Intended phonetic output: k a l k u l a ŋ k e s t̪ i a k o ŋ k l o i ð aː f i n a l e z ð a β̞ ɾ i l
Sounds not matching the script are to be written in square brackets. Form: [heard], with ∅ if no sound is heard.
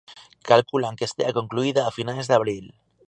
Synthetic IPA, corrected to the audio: k a l k u l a ŋ k e s t̪ [e] a k o ŋ k l [u] i ð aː f i n a l e z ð a β̞ ɾ i l